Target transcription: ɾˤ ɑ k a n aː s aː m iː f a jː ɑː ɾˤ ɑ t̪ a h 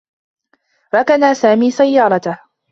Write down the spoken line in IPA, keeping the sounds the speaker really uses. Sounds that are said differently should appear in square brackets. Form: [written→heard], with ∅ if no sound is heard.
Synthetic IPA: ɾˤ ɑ k a n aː s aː m iː [f→s] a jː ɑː ɾˤ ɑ t̪ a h